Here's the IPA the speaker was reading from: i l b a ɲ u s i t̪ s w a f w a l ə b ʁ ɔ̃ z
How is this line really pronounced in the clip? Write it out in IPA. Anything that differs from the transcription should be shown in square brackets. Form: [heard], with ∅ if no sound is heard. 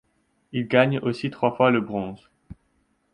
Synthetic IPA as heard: i l [ɡ] a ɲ [o] s i t̪ [χ] w a f w a l ə b ʁ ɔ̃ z